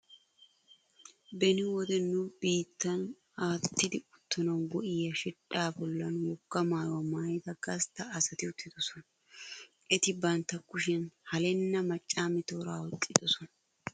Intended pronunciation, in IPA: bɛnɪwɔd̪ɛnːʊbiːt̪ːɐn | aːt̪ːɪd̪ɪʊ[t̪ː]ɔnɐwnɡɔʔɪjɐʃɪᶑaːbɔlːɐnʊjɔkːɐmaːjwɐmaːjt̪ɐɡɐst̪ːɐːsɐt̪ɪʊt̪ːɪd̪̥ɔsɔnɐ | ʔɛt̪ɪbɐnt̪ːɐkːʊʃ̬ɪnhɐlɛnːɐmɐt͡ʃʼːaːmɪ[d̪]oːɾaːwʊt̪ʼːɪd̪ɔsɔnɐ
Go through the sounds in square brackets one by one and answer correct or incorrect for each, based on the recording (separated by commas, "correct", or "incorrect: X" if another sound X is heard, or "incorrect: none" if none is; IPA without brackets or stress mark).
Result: correct, incorrect: t̪